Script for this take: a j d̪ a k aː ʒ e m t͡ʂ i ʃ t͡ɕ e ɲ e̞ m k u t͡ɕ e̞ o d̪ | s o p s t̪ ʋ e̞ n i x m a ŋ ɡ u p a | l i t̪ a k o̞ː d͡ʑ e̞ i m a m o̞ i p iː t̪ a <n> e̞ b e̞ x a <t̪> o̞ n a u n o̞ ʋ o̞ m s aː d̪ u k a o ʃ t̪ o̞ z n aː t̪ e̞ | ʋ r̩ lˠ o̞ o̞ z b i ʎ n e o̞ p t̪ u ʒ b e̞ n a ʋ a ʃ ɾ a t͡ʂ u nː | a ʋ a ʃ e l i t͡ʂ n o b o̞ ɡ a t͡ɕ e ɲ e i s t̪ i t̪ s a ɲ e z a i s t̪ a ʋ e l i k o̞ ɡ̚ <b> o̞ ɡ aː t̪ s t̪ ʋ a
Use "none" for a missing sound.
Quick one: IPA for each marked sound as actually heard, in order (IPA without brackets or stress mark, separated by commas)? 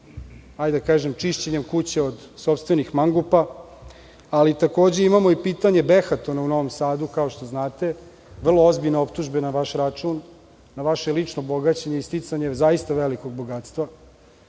ɲ, t̪, b